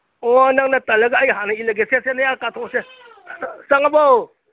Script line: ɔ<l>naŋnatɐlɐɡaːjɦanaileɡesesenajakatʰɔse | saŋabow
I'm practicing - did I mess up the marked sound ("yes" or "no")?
yes